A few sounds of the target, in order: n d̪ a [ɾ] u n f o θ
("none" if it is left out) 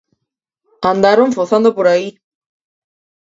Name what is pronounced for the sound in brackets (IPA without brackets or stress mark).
ɾ